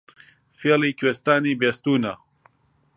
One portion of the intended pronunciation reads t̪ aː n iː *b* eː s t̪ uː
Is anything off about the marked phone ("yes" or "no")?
no